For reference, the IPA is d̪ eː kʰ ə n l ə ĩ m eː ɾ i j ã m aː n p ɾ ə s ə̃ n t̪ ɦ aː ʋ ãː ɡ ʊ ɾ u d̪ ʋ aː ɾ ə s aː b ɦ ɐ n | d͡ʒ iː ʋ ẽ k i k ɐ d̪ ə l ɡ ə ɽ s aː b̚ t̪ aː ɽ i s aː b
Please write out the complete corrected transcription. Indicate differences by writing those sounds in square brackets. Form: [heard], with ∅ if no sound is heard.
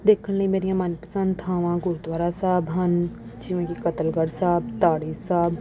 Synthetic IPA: d̪ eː kʰ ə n l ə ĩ m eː ɾ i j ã m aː n p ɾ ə s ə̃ n t̪ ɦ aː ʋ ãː ɡ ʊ ɾ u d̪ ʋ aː ɾ [a] s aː b ɦ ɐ n | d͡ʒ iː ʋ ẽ k i k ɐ [t̪] ə l ɡ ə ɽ s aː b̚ t̪ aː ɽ i s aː b